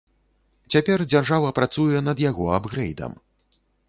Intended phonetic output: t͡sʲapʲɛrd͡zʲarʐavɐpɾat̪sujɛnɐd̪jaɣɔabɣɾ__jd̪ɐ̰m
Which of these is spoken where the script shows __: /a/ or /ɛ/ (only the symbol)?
ɛ